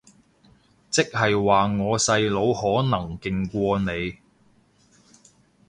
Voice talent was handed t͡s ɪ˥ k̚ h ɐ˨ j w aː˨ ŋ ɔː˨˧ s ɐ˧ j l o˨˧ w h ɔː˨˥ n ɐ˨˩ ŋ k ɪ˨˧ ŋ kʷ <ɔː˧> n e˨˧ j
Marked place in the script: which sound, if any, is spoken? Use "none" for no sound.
ɔː˧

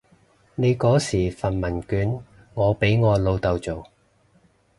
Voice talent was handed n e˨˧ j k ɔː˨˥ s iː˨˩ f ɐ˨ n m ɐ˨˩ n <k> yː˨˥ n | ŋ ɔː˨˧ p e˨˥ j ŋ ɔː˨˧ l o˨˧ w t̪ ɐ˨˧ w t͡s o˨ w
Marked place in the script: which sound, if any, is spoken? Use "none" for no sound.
k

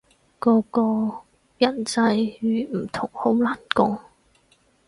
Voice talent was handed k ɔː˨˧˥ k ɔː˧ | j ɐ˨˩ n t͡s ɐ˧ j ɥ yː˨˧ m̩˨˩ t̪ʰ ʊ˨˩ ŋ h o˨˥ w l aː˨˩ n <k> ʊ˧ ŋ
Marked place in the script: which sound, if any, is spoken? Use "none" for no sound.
k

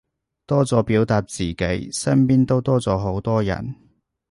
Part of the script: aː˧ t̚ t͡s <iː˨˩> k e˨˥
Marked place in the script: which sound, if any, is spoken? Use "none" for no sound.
iː˨˩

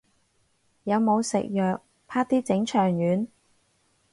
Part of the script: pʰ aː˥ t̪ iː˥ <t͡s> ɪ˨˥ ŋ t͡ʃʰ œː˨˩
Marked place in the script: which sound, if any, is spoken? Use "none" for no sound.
t͡s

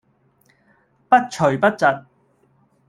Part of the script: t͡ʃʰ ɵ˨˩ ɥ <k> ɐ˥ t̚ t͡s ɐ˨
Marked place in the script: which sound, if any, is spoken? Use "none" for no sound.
p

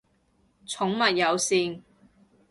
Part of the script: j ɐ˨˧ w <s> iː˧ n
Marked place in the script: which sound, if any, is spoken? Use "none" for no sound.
s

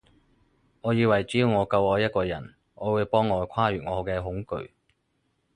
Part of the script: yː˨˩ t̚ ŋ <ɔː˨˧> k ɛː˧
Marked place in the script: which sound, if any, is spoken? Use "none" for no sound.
ɔː˨˧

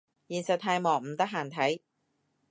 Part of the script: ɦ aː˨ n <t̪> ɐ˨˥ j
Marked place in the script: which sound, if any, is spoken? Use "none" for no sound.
t̪ʰ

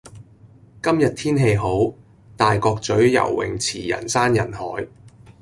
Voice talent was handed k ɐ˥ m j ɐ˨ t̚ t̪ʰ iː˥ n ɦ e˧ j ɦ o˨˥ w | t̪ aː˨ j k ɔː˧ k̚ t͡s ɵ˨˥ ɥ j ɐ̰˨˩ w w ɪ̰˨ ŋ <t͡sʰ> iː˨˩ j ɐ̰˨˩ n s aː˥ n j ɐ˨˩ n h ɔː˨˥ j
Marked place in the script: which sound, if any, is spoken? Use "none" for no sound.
t͡sʰ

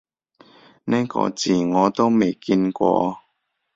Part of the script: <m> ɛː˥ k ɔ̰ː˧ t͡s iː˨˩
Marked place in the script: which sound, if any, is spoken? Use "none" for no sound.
n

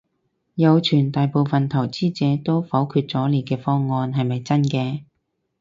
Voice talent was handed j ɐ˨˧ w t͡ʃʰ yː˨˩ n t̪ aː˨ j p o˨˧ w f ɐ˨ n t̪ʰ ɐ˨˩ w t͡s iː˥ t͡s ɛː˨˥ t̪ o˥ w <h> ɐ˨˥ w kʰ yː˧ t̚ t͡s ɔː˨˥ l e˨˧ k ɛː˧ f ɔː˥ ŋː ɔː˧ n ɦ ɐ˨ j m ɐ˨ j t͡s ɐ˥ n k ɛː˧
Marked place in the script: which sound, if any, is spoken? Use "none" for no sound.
f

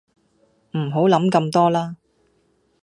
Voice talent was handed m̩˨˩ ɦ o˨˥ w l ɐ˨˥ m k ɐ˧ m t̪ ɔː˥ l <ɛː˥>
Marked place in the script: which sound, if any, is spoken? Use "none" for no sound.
aː˥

